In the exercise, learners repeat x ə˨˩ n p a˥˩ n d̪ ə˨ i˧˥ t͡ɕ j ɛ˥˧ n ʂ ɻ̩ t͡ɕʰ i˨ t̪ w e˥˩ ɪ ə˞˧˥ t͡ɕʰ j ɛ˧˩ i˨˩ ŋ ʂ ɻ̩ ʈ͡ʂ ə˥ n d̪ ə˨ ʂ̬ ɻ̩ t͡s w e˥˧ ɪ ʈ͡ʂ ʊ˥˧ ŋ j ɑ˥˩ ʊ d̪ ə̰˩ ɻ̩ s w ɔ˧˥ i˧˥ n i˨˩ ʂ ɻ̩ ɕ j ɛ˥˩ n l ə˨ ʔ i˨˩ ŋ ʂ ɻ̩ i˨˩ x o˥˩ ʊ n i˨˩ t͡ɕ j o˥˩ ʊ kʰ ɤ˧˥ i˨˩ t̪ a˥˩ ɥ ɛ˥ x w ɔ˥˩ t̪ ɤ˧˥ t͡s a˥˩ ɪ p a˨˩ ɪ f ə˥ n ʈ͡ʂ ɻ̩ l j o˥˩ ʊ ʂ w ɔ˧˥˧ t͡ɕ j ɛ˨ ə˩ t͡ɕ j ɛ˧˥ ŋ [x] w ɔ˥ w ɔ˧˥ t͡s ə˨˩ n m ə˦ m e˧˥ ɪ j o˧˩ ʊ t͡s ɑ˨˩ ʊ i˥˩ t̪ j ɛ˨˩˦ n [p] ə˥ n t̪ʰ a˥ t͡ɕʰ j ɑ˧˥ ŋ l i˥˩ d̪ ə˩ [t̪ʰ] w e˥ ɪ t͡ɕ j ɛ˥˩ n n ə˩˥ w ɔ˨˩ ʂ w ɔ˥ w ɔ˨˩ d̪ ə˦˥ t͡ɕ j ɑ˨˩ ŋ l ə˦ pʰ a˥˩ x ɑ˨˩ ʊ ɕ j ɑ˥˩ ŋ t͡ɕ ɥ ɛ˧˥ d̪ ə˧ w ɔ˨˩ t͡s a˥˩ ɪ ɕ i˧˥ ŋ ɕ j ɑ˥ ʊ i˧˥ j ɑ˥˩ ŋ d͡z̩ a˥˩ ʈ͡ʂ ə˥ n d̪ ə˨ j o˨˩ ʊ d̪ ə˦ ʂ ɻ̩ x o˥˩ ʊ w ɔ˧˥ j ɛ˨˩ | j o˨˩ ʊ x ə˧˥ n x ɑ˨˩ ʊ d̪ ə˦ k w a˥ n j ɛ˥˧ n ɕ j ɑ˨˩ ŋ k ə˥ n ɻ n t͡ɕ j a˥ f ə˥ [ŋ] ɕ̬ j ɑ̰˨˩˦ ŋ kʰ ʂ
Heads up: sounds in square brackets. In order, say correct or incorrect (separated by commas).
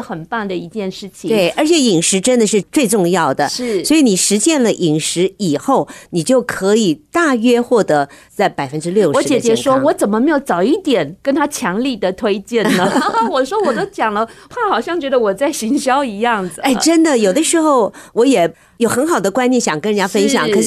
incorrect, incorrect, correct, incorrect